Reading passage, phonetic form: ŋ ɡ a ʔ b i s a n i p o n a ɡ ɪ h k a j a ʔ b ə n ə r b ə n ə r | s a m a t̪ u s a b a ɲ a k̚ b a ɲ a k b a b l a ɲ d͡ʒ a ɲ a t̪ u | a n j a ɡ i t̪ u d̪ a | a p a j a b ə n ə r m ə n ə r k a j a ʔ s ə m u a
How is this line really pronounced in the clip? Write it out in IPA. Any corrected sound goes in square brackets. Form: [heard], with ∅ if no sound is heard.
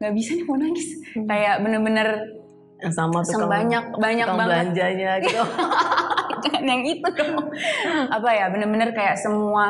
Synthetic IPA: ŋ ɡ a ʔ b i s a n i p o n a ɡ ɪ [s] k a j a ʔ b ə n ə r b ə n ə r | s a m a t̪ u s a b a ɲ a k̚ b a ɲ a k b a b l a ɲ d͡ʒ a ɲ a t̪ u | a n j a [ŋ] i t̪ u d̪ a | a p a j a b ə n ə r [b] ə n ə r k a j a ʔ s ə m u a

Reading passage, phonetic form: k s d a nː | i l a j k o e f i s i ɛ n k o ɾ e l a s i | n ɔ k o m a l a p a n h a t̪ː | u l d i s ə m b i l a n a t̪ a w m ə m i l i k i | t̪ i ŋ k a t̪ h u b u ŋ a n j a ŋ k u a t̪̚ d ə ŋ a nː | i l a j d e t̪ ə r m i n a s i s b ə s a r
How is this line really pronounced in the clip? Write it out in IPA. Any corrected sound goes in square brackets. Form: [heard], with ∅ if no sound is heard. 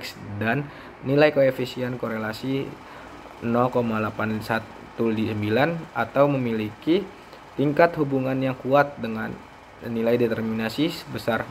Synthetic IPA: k s d a nː | i l a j k o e f i s i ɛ n k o ɾ e l a s i | n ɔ k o m a l a p a n [s] a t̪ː | u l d i s ə m b i l a n a t̪ a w m ə m i l i k i | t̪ i ŋ k a t̪ h u b u ŋ a n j a ŋ k u a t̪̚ d ə ŋ a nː | i l a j d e t̪ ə r m i n a s i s b ə s a r

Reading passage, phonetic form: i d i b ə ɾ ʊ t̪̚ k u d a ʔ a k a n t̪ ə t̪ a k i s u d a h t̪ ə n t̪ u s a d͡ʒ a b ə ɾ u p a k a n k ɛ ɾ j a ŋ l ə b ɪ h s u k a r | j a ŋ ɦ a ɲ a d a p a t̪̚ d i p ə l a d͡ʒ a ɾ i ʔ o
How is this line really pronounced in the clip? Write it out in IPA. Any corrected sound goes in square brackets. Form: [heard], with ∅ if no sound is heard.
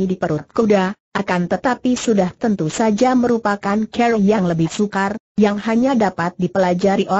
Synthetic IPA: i d i [p] ə ɾ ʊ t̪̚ k u d a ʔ a k a n t̪ ə t̪ a [p] i s u d a h t̪ ə n t̪ u s a d͡ʒ a [m] ə ɾ u p a k a n k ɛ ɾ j a ŋ l ə b ɪ h s u k a r | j a ŋ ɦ a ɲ a d a p a t̪̚ d i p ə l a d͡ʒ a ɾ i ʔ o

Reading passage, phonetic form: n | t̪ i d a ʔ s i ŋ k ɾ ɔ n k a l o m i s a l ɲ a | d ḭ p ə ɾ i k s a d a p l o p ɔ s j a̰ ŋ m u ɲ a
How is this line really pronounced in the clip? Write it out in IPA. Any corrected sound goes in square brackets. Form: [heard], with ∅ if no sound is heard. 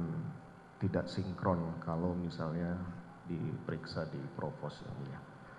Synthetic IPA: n | t̪ i d a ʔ s i ŋ k ɾ ɔ n k a l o m i s a l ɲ a | d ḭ p ə ɾ i k s a d [i] p [ɾ] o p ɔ s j a̰ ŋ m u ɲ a

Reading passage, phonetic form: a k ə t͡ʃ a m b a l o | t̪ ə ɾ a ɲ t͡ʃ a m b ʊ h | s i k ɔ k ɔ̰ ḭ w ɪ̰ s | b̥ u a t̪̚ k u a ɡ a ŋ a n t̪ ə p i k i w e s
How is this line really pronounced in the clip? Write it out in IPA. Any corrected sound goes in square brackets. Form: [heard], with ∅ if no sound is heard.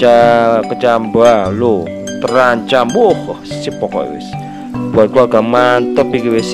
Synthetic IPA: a k ə t͡ʃ a m b a l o | t̪ ə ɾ a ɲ t͡ʃ a m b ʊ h | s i [p] ɔ k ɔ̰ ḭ w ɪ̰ s | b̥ u a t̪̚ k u a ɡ a [m] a n t̪ ə p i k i w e s

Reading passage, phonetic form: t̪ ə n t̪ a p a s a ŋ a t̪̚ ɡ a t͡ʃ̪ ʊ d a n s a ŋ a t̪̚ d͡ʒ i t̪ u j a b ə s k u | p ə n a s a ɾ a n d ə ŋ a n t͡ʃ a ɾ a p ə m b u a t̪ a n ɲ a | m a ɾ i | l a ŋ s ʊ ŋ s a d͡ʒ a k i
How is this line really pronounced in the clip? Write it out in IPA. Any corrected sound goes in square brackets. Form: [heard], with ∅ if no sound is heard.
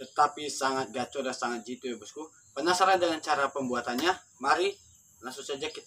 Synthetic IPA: t̪ ə [∅] t̪ a p [i] s a ŋ a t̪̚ ɡ a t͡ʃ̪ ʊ d a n s a ŋ a t̪̚ d͡ʒ i t̪ u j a b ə s k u | p ə n a s a ɾ a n d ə ŋ a n t͡ʃ a ɾ a p ə m b u a t̪ a n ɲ a | m a ɾ i | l a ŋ s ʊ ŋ s a d͡ʒ a k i

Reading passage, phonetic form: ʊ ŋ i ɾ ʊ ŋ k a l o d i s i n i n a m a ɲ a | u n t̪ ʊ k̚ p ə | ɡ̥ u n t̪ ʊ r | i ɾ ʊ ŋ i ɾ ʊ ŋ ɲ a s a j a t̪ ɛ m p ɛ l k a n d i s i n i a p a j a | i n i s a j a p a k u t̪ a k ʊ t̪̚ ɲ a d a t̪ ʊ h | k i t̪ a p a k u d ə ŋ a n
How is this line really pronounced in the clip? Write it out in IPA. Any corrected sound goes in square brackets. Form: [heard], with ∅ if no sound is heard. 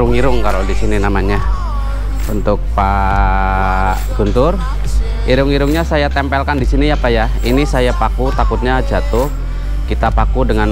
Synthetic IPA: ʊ ŋ i ɾ ʊ ŋ k a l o d i s i n i n a m a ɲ a | u n t̪ ʊ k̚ p [a] | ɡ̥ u n t̪ ʊ r | i ɾ ʊ ŋ i ɾ ʊ ŋ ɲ a s a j a t̪ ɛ m p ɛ l k a n d i s i n i a p a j a | i n i s a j a p a k u t̪ a k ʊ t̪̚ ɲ a [d͡ʒ] a t̪ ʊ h | k i t̪ a p a k u d ə ŋ a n

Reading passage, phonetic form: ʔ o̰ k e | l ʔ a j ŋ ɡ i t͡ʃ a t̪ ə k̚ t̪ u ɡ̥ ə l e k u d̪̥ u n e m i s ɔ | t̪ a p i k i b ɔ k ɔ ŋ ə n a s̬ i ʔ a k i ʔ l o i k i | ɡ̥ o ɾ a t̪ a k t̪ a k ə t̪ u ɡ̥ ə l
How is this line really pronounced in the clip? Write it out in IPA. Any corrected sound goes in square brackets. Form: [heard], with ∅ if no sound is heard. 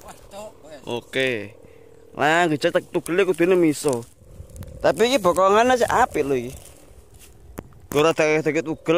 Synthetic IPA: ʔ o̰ k e | l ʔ a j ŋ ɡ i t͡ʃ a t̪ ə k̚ t̪ u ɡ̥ ə l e k u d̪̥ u n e m i s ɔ | t̪ a p i k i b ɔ k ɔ ŋ [a] n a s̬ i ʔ a [p] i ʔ l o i k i | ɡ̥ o ɾ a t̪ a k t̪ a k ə t̪ u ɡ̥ ə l

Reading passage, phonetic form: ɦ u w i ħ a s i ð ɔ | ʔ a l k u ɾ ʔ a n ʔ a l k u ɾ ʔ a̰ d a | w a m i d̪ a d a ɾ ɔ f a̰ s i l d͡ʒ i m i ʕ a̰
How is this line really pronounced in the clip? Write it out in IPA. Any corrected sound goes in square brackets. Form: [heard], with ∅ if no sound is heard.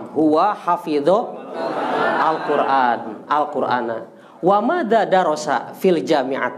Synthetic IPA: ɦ u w [a] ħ a [f] i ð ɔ | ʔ a l k u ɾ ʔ a n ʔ a l k u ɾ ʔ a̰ [n] a | w a m [a] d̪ a d a ɾ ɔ [s] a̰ [f] i l d͡ʒ [a] m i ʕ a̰

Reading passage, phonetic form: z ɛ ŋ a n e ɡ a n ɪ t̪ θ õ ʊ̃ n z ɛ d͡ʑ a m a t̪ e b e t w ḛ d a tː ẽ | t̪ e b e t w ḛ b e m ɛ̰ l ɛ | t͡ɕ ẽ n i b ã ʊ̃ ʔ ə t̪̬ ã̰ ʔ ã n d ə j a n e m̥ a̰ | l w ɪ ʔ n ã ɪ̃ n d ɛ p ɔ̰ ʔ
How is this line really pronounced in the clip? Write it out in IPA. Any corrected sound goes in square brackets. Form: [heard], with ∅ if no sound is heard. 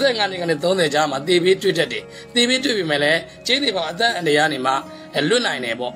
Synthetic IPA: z ɛ ŋ a n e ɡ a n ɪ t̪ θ õ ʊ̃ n z ɛ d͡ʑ a m a t̪ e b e t w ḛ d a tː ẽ | t̪ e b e t w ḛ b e m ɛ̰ l ɛ | t͡ɕ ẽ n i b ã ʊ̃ ʔ ə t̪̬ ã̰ ʔ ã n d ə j a n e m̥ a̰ | l w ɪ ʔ n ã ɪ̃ n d ɛ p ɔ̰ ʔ

